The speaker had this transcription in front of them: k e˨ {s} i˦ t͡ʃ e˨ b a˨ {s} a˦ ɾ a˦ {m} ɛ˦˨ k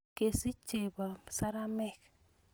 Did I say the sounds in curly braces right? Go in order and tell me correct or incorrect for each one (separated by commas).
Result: correct, correct, correct